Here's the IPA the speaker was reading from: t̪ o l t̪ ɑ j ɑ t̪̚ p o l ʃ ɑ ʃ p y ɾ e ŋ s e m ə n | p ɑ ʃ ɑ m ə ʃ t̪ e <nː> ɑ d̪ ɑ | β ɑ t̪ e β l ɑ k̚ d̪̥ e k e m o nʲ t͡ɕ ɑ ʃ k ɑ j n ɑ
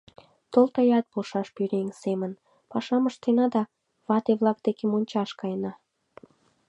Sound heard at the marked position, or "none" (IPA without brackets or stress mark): n